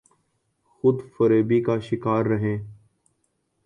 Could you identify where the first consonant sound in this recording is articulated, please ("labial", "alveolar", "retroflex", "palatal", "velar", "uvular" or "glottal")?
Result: velar